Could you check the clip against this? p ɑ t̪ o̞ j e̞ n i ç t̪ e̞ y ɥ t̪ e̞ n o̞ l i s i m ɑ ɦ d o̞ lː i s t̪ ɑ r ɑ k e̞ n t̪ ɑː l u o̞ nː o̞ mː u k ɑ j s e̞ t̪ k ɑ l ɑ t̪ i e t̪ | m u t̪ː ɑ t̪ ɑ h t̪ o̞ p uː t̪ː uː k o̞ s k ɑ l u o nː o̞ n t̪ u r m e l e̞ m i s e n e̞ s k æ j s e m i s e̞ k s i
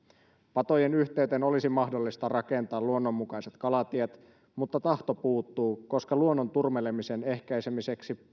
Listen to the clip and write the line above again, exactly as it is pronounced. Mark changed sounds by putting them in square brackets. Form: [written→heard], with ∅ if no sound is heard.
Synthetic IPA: p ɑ t̪ o̞ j e̞ n [i→y] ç t̪ e̞ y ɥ t̪ e̞ n o̞ l i s i m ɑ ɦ d o̞ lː i s t̪ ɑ r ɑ k e̞ n t̪ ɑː l u o̞ nː o̞ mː u k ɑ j s e̞ t̪ k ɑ l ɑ t̪ i e t̪ | m u t̪ː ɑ t̪ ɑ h t̪ o̞ p uː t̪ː uː k o̞ s k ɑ l u o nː o̞ n t̪ u r m e l e̞ m i s e n e̞ [s→h] k æ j s e m i s e̞ k s i